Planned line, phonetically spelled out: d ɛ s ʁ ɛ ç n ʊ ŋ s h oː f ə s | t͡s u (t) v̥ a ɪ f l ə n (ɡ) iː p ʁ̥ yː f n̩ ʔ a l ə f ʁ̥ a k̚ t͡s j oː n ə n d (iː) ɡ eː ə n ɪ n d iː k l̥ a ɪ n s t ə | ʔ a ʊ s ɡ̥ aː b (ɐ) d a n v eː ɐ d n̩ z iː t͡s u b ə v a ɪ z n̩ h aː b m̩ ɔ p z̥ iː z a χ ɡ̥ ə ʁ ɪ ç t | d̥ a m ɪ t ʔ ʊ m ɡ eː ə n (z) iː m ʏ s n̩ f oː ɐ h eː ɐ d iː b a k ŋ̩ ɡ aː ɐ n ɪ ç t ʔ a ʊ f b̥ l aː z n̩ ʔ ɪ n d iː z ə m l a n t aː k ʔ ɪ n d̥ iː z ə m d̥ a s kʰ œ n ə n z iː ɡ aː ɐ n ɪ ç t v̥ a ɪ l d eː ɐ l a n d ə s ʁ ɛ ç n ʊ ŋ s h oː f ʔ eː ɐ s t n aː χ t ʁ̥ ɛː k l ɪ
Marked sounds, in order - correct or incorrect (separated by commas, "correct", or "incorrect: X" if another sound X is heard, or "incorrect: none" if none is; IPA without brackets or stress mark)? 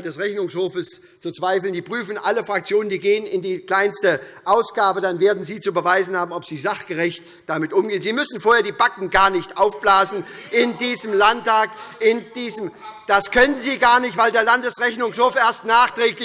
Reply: incorrect: t͡s, incorrect: d, correct, incorrect: ə, correct